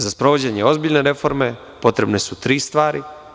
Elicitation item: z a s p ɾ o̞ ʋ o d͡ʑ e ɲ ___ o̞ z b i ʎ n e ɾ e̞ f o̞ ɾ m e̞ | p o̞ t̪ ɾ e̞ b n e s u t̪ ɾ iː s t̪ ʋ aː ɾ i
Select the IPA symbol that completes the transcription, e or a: e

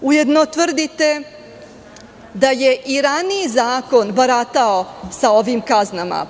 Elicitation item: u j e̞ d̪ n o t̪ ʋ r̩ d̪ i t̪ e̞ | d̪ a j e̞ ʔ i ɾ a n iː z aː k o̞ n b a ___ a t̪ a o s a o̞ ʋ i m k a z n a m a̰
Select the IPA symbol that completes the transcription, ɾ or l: ɾ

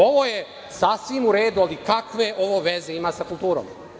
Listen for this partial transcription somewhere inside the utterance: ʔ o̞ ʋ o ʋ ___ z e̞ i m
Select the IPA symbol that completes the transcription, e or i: e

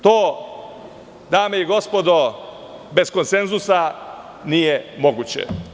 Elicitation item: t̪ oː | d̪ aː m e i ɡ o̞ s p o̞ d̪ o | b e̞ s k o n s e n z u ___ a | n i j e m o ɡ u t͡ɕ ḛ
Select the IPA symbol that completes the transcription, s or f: s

